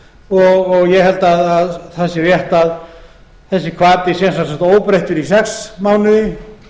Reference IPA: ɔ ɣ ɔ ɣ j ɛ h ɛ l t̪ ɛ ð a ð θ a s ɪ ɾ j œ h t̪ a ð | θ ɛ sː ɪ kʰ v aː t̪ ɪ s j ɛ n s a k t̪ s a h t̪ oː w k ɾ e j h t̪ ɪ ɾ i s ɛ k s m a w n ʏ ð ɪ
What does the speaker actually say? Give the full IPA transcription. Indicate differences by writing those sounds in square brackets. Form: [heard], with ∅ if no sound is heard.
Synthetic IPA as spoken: ɔ ɣ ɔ ɣ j ɛ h ɛ l t̪ [a] ð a ð θ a s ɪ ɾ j [ɛ] h t̪ a ð | θ ɛ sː ɪ kʰ v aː t̪ ɪ s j ɛ n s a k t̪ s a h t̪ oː w [p] ɾ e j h t̪ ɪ ɾ i s ɛ k s m a w n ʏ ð ɪ